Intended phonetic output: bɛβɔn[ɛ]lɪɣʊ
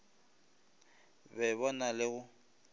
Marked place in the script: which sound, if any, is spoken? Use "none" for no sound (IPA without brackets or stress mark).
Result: a